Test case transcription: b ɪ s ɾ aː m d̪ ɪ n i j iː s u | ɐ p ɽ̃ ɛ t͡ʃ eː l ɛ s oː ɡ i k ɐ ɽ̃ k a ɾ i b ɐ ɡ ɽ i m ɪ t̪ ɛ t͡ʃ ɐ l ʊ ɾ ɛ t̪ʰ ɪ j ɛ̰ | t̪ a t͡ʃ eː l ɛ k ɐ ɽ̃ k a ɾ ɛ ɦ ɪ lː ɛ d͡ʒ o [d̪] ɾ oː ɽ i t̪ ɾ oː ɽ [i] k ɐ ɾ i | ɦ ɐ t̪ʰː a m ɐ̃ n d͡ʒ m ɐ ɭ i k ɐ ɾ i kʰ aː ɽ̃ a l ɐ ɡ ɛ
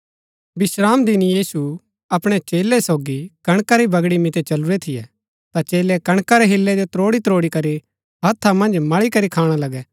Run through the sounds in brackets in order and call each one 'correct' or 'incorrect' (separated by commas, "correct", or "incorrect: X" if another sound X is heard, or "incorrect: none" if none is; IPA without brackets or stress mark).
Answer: incorrect: t̪, correct